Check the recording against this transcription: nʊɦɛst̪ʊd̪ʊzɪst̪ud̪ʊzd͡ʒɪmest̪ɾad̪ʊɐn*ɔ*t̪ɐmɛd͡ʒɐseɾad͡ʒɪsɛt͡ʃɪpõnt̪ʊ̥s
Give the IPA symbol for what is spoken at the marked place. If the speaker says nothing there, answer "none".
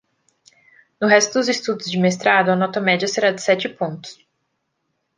ɔ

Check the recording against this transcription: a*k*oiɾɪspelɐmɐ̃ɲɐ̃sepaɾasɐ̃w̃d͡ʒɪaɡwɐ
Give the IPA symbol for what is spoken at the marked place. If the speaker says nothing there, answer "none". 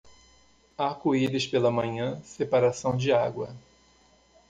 k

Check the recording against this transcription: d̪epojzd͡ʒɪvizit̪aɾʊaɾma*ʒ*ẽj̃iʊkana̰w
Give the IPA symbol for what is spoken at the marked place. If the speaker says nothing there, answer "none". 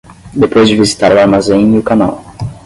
z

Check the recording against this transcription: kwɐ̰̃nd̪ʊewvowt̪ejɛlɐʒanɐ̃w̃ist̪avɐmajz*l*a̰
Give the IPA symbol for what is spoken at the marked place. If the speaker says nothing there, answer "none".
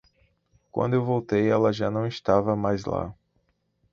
l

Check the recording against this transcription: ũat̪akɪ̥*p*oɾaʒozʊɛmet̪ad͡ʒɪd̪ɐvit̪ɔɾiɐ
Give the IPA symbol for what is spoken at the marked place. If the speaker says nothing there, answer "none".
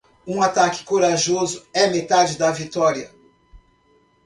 k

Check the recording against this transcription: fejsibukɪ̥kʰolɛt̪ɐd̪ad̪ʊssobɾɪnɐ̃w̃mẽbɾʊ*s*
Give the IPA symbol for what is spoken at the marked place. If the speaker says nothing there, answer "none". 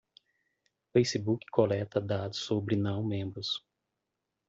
s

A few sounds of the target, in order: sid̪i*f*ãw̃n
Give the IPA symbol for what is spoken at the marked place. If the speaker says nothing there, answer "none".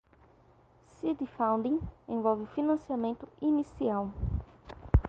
f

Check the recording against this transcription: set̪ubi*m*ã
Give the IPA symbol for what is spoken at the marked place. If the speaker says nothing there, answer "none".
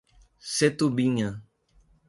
ɲ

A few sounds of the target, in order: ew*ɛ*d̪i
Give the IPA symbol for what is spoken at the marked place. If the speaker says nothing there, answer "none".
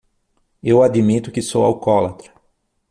a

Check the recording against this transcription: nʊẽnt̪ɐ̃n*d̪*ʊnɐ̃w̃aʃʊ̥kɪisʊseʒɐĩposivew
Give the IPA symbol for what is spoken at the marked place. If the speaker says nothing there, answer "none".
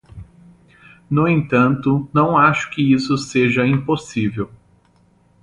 t̪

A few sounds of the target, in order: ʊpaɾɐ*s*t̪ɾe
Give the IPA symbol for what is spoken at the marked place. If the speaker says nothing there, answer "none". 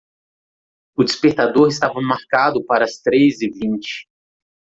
s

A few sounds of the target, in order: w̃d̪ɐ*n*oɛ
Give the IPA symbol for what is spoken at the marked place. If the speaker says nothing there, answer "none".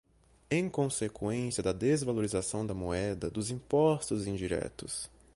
m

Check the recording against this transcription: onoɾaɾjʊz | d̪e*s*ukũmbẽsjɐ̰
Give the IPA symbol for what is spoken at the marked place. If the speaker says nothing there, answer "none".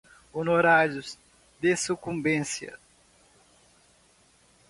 s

